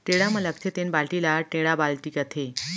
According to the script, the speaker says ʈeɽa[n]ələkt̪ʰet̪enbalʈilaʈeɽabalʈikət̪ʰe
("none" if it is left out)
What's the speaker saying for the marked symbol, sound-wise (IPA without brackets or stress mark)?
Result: m